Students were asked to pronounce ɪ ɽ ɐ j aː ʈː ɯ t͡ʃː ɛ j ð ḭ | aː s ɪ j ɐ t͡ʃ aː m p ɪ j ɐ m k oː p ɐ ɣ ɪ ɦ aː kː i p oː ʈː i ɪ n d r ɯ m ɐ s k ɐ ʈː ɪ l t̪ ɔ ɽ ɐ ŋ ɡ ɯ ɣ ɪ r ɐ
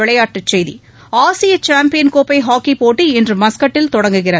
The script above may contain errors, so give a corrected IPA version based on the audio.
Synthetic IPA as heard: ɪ ɭ ɐ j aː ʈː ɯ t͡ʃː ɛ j ð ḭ | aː s ɪ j ɐ t͡ʃ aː m p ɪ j ɐ n k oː p ɐ ɪ ɦ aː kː i p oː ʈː i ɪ n d r ɯ m ɐ s k ɐ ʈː ɪ l t̪ ɔ ɽ ɐ ŋ ɡ ɯ ɣ ɪ r ɐ